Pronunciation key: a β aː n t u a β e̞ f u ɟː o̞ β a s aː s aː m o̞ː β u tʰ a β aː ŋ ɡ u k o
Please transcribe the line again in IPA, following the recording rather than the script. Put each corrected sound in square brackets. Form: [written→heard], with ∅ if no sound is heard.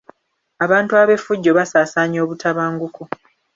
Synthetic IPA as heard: a β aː n t u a β e̞ f u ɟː o̞ β a s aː s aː [m→ɲ] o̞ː β u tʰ a β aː ŋ ɡ u k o